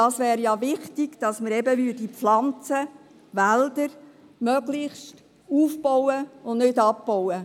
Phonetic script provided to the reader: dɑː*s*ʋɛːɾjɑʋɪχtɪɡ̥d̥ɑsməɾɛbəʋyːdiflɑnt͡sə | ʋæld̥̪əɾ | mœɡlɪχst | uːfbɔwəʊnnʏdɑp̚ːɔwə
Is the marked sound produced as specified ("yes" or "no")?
yes